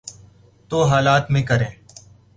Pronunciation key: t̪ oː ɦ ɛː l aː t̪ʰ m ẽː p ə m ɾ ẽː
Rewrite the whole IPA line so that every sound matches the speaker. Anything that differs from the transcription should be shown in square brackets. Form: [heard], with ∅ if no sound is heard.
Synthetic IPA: t̪ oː ɦ [aː] l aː [t̪] m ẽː [k] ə [∅] ɾ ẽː